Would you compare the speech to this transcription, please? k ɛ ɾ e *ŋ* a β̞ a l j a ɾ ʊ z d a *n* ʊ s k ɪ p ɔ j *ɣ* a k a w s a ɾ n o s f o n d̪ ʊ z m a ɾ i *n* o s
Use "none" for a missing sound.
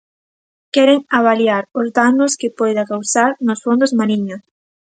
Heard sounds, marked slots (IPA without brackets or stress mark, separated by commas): ŋ, n, ð, ɲ